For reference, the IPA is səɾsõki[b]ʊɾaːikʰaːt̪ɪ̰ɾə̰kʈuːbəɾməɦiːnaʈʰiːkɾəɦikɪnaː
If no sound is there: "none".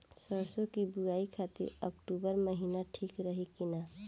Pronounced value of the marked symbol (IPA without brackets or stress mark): b